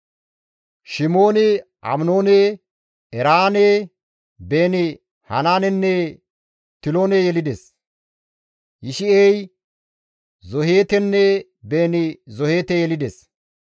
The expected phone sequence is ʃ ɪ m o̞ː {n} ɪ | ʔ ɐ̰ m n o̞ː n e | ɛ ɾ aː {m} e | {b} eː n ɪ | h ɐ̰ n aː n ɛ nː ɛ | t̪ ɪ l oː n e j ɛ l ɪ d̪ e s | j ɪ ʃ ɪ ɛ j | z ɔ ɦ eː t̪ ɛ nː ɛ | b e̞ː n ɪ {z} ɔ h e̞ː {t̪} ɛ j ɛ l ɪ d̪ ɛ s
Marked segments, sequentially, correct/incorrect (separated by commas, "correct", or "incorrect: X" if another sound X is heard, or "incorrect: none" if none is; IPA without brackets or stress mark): correct, incorrect: n, correct, correct, correct